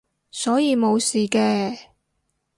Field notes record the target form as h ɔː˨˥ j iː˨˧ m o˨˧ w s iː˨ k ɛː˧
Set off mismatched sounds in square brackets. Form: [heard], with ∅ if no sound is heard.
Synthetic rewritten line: [s] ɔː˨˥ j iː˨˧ m o˨˧ w s iː˨ k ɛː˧